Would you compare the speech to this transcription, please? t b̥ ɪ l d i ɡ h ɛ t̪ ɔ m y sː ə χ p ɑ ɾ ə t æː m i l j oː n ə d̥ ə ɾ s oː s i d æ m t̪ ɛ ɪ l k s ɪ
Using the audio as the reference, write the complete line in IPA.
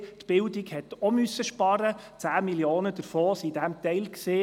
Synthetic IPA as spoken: t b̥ ɪ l d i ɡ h ɛ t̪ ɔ m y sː ə ʃ p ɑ ɾ ə t͡s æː m i l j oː n ə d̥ ə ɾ f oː s i d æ m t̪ ɛ ɪ l k s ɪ